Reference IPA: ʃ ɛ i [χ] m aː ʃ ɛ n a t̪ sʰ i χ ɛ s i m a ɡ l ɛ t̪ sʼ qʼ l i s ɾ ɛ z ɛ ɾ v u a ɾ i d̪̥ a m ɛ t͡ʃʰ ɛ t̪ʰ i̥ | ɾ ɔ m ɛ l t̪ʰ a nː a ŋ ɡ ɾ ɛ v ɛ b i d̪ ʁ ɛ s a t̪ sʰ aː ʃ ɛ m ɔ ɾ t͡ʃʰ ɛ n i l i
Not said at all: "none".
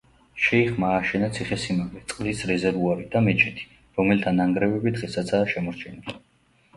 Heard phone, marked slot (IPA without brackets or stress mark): χ